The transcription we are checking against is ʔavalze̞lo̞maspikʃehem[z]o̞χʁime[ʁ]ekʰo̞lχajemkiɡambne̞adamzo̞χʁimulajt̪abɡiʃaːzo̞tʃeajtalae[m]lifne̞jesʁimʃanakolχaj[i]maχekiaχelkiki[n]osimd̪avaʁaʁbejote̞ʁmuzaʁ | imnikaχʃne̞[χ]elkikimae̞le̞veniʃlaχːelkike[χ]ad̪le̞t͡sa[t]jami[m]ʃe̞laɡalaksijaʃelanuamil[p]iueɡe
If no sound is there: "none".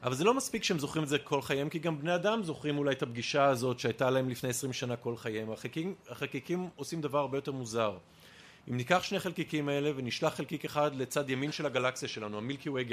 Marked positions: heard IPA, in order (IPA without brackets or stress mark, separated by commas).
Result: z, z, m, e, m, χ, χ, d, n, k